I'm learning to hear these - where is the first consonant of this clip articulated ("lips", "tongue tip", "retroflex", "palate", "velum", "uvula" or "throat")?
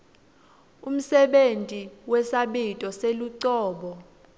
lips